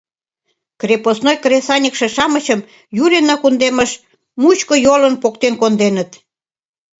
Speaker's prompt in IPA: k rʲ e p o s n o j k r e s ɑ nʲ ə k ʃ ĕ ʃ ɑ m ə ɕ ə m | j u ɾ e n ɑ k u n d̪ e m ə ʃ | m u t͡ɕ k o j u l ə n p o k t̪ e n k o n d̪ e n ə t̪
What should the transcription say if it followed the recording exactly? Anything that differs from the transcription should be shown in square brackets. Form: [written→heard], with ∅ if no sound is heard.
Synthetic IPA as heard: k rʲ e p o s n o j k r e s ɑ nʲ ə k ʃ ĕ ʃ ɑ m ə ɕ ə m | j u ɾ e n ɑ k u n d̪ e m ə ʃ | m u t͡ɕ k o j [u→o] l ə n p o k t̪ e n k o n d̪ e n ə t̪

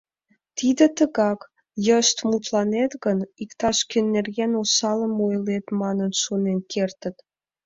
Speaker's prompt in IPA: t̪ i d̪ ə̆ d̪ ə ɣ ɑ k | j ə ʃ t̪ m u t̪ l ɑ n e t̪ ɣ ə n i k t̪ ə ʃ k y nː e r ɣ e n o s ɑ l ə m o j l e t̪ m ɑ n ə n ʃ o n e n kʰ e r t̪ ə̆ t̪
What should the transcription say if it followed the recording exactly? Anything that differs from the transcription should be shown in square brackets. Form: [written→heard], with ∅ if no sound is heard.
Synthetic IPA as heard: t̪ i d̪ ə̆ [d̪→t̪] ə ɣ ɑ k | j ə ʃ t̪ m u t̪ l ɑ n e t̪ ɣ ə n i k t̪ [ə→ɑ] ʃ k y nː e r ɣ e n o s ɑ l ə m o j l e t̪ m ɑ n ə n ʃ o n e n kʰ e r t̪ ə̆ t̪

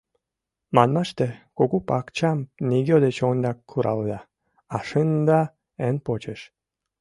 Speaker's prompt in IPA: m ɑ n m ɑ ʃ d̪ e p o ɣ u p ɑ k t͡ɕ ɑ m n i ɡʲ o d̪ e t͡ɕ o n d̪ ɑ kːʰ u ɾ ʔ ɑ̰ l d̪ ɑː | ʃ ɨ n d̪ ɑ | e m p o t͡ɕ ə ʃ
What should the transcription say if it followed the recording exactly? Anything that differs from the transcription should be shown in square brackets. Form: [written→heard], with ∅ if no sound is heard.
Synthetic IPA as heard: m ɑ n m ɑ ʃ [d̪→t̪] e [p→k] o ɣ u p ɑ k t͡ɕ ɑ m n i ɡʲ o d̪ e t͡ɕ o n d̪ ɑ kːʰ u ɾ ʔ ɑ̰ l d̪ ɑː | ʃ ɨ n d̪ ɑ | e [m→n] p o t͡ɕ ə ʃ

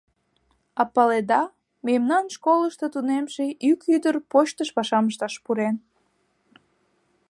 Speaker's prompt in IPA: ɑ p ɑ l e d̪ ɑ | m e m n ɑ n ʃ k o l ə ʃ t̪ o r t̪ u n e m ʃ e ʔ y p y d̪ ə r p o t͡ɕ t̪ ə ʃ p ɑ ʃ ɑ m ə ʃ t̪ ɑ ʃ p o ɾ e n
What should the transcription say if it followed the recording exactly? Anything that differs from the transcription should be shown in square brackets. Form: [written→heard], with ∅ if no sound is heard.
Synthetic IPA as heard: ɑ p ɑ l e d̪ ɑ | m e m n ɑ n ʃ k o l ə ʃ t̪ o [r→∅] t̪ u n e m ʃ e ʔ y [p→k] y d̪ ə r p o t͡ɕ t̪ ə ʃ p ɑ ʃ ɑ m ə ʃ t̪ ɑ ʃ p [o→u] ɾ e n

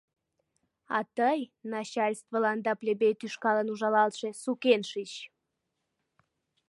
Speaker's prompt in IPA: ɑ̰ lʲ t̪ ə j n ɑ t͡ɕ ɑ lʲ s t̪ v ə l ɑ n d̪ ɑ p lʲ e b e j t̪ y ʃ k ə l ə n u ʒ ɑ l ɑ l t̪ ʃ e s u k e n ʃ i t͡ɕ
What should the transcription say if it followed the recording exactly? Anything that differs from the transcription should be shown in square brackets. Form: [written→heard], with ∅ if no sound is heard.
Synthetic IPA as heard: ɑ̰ [lʲ→∅] t̪ ə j n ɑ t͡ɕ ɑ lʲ s t̪ v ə l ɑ n d̪ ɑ p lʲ e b e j t̪ y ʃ k [ə→ɑ] l ə n u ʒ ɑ l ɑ l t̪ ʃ e s u k e n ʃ i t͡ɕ

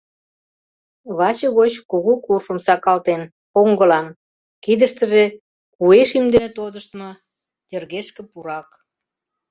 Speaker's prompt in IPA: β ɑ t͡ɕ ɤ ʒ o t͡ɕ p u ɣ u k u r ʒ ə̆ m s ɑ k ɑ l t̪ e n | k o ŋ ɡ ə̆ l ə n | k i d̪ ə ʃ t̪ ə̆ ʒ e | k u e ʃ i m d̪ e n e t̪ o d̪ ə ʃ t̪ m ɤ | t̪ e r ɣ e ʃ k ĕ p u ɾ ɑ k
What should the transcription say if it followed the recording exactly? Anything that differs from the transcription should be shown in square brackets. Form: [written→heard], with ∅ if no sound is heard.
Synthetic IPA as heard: β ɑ t͡ɕ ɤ [ʒ→ɣ] o t͡ɕ [p→k] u ɣ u k u r [ʒ→ʃ] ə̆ m s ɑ k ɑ l t̪ e n | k o ŋ ɡ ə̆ l [ə→ɑ] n | k i d̪ ə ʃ t̪ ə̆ ʒ e | k u e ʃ i m d̪ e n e t̪ o d̪ ə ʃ t̪ m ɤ | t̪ e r ɣ e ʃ k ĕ p u ɾ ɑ k

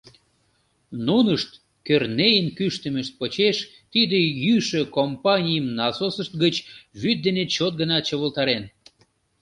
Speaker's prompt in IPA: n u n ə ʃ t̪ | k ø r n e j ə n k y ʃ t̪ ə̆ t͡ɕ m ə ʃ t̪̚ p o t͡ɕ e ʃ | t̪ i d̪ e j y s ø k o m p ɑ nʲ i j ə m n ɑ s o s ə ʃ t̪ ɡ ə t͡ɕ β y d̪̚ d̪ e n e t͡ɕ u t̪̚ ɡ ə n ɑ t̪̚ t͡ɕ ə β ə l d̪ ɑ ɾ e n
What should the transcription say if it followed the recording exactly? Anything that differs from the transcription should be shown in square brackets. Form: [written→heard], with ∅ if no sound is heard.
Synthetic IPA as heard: n u n ə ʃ t̪ | k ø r n e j ə n k y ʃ t̪ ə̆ [t͡ɕ→∅] m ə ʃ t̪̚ p o t͡ɕ e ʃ | t̪ i d̪ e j y [s→ʃ] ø k o m p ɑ nʲ i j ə m n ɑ s o s ə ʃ t̪ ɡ ə t͡ɕ β y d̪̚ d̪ e n e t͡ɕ [u→o] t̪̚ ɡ ə n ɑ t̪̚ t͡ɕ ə β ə l [d̪→t̪] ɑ ɾ e n

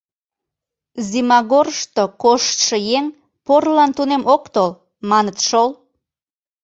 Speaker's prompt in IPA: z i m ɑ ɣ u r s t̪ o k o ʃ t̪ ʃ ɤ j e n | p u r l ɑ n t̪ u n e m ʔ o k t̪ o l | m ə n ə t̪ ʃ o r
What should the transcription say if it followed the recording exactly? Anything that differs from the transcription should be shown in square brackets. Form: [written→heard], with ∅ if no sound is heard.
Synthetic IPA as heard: z i m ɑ ɣ [u→o] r [s→ʃ] t̪ o k o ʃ t̪ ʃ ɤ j e [n→ŋ] | p [u→o] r l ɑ n t̪ u n e m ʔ o k t̪ o l | m [ə→ɑ] n ə t̪ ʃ o [r→l]

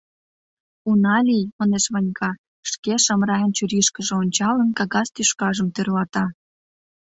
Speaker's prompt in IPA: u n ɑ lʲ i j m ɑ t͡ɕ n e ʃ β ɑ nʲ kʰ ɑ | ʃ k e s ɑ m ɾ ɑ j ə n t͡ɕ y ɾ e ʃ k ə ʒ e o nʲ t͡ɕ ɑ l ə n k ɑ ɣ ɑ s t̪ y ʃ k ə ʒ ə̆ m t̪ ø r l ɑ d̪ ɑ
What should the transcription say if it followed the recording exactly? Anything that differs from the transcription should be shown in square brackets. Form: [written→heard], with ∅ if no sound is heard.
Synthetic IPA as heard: u n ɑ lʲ i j m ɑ [t͡ɕ→∅] n e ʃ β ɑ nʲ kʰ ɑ | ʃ k e [s→ʃ] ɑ m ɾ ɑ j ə n t͡ɕ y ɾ [e→i] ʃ k ə ʒ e o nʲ t͡ɕ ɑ l ə n k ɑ ɣ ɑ s t̪ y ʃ k [ə→ɑ] ʒ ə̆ m t̪ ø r l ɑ [d̪→t̪] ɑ

